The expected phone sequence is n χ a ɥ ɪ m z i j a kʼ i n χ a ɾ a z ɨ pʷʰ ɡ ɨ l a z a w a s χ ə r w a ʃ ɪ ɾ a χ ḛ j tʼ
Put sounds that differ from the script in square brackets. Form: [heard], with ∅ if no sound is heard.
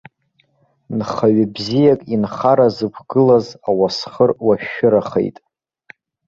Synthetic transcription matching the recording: n χ a ɥ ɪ [b] z i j a kʼ i n χ a ɾ a z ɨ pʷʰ ɡ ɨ l a z a w a s χ ə r w a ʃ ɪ ɾ a χ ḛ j tʼ